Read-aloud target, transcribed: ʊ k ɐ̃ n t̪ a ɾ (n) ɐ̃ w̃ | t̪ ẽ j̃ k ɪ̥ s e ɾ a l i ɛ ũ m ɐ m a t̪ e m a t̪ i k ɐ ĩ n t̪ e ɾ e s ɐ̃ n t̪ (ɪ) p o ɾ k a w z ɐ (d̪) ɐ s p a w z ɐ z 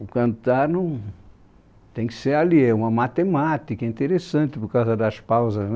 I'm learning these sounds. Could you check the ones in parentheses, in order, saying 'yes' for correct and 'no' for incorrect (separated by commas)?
yes, yes, yes